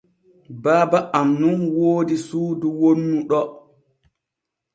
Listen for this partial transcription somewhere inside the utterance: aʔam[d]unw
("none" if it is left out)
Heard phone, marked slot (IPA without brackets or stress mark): n